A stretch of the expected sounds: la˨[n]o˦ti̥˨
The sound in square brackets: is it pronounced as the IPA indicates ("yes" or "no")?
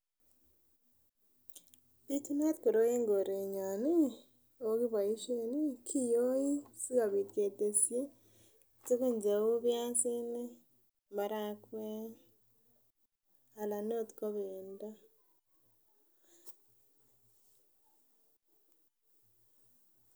yes